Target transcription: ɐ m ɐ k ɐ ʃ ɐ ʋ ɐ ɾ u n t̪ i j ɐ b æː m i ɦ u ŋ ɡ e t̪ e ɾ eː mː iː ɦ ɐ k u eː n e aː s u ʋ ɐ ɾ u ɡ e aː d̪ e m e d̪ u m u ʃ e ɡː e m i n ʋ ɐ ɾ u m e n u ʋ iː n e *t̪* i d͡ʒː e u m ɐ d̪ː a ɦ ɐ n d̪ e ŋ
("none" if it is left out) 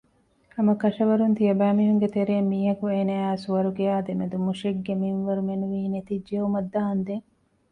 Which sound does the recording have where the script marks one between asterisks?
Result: t̪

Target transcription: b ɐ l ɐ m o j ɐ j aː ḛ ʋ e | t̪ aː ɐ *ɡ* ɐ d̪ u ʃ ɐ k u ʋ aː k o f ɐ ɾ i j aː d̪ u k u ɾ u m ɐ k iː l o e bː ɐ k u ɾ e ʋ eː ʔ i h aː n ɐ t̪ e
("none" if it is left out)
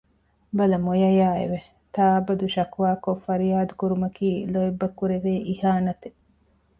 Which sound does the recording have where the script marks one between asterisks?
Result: b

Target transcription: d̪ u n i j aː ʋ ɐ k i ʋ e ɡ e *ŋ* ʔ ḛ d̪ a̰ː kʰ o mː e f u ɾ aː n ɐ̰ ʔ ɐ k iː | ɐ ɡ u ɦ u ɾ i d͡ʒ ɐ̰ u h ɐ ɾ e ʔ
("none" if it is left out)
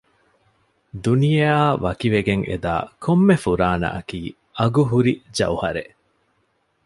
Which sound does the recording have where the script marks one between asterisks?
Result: ŋ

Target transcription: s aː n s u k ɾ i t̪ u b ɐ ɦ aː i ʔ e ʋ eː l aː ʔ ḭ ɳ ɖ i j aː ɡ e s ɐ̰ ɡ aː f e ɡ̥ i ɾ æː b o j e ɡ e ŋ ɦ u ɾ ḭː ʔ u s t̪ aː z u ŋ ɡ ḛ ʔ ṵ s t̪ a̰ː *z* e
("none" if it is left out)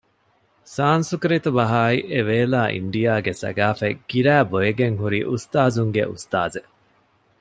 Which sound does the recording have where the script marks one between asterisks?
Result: z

